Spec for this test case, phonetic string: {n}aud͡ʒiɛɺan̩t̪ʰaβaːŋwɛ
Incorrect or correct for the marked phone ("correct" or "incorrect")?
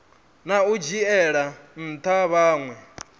correct